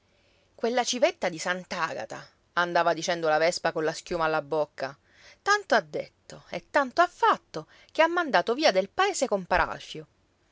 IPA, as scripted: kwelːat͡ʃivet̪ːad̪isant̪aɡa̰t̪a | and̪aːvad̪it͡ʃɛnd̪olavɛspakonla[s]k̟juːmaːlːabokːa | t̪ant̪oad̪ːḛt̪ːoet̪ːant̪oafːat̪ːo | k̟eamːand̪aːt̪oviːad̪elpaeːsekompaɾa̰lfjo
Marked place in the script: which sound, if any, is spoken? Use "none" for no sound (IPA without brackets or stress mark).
s